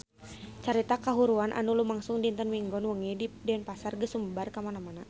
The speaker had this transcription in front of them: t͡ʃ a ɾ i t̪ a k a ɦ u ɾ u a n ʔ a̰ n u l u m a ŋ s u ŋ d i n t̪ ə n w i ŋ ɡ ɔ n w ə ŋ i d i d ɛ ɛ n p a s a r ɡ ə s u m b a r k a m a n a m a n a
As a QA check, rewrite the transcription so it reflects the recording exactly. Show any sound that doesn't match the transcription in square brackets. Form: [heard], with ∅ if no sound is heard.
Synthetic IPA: t͡ʃ a ɾ i t̪ a k a ɦ u ɾ u a n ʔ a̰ n u l u m a ŋ s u ŋ d i n t̪ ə n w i ŋ ɡ ɔ n w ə ŋ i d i d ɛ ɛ n p a s a r ɡ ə s u m b a r k a m a n a m a n a